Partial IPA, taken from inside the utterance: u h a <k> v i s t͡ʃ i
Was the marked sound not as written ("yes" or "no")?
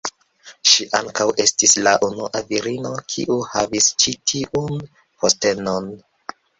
yes